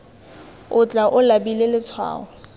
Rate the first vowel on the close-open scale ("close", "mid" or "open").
close